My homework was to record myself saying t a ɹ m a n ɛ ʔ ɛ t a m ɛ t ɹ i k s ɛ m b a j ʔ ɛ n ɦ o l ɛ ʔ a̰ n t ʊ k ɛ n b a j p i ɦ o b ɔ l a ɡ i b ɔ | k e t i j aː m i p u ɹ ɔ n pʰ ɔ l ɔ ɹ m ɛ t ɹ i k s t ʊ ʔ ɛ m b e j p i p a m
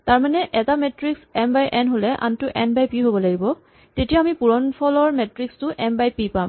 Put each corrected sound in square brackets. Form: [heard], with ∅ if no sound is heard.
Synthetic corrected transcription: t a ɹ m a n ɛ ʔ ɛ t a m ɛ t ɹ i k s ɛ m b a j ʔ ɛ n ɦ o l ɛ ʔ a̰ n t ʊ [ʔ] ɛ n b a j p i ɦ o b ɔ l a ɡ i b ɔ | [t] e t i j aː m i p u ɹ ɔ n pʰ ɔ l ɔ ɹ m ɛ t ɹ i k s t ʊ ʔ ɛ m b [a] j p i p a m